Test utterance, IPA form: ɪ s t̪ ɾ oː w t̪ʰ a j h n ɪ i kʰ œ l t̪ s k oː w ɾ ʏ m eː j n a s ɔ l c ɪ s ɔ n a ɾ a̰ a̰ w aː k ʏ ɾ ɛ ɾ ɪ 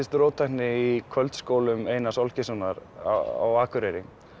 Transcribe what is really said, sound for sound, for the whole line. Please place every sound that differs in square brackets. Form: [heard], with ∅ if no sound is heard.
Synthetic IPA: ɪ s t̪ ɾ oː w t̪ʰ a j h n ɪ i kʰ œ l t̪ s k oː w [l] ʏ m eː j n a s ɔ l c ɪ s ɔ n a ɾ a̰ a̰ w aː k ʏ ɾ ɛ ɾ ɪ